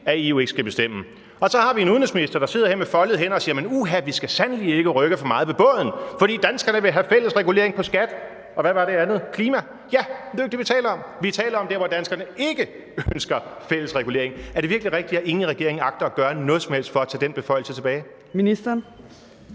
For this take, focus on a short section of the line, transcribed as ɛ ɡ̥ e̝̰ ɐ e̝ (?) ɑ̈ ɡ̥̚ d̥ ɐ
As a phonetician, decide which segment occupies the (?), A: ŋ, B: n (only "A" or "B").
A